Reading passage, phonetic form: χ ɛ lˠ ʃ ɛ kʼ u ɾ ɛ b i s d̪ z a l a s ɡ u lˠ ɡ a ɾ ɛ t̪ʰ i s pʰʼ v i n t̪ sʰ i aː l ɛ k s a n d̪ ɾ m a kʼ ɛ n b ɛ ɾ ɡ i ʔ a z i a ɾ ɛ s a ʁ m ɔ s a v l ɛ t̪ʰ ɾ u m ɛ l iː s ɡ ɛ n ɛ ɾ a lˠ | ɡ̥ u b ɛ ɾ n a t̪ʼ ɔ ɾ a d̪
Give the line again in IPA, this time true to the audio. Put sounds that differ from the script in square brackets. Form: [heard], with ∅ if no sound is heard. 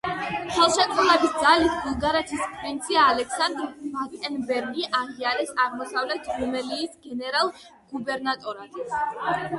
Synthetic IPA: χ ɛ lˠ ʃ ɛ kʼ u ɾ ɛ b i s d̪ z a l [i] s ɡ u lˠ ɡ a ɾ ɛ t̪ʰ i s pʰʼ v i n t̪ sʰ i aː l ɛ k s a n d̪ ɾ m a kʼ ɛ n b ɛ ɾ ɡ i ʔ a [ʁ] i a ɾ ɛ s a ʁ m ɔ s a v l ɛ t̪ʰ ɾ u m ɛ l iː s ɡ ɛ n ɛ ɾ a lˠ | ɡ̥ u b ɛ ɾ n a t̪ʼ ɔ ɾ a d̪